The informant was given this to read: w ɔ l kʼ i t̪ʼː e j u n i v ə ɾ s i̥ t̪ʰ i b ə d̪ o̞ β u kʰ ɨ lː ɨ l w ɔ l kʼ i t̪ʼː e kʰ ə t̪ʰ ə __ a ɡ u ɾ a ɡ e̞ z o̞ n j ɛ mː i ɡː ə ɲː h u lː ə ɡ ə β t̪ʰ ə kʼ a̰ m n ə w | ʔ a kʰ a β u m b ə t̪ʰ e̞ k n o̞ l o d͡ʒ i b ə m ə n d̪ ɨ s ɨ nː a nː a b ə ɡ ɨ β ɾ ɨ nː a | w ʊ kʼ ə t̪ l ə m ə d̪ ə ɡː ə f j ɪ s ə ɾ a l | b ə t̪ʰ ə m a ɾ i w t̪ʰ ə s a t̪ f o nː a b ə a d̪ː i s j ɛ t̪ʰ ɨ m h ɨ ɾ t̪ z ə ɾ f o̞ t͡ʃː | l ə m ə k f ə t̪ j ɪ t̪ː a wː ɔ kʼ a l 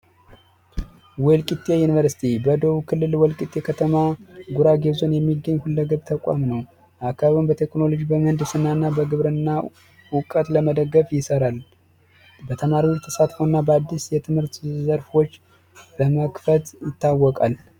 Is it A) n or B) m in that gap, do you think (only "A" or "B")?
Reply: B